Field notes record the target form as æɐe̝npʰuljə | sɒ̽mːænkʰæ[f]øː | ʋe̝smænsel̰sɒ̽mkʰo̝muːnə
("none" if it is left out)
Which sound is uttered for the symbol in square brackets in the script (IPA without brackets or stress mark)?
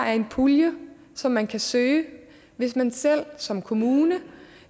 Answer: s